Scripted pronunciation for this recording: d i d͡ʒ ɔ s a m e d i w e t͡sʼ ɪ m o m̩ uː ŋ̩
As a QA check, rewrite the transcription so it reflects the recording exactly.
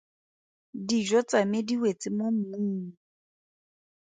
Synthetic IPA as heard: d i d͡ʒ ɔ t͡s a m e d i w e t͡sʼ ɪ m o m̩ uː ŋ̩